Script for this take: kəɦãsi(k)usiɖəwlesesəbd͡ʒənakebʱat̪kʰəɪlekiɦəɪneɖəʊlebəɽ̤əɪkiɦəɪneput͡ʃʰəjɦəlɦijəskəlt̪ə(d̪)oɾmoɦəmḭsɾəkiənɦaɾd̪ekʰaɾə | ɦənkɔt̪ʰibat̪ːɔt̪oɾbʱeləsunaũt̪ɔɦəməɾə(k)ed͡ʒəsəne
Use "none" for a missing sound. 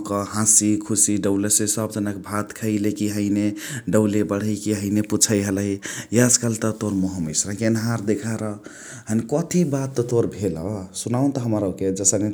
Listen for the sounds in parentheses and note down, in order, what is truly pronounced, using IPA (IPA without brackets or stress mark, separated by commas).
kʰ, t̪, k